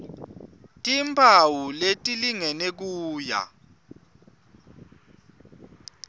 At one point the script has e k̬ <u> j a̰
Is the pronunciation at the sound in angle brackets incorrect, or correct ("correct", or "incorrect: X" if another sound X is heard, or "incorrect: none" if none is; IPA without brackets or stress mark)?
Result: incorrect: uː